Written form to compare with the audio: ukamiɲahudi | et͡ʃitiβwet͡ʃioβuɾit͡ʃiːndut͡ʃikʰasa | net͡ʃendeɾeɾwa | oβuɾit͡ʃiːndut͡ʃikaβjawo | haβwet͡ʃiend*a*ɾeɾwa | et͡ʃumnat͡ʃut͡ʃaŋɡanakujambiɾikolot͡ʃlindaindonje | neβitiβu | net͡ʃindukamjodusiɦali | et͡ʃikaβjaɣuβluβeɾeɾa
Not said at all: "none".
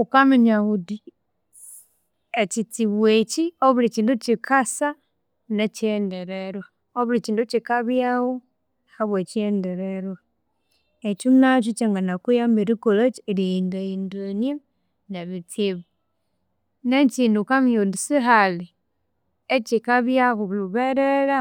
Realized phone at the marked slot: e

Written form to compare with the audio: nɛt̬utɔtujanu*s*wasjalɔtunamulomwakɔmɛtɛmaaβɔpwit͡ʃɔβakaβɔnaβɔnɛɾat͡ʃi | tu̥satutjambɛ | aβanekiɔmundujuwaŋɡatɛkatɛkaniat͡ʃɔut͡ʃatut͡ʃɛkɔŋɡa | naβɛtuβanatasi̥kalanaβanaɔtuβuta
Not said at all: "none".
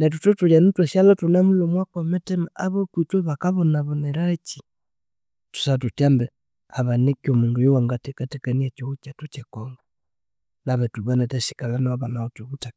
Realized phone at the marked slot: t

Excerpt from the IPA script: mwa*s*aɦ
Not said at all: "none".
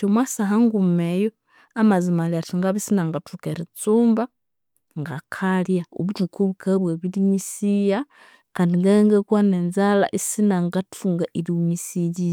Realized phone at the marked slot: s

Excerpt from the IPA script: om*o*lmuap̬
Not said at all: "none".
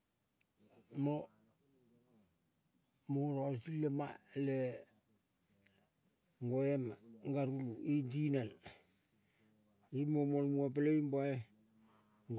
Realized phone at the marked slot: o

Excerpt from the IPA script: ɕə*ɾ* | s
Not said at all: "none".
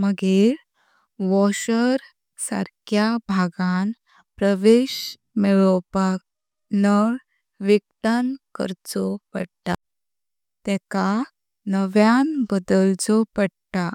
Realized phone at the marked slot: ɾ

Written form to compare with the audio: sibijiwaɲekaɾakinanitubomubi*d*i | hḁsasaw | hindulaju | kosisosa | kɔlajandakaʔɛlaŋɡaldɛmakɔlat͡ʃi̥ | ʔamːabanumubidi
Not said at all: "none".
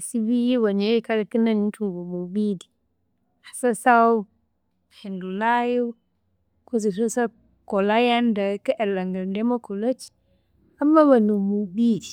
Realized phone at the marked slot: d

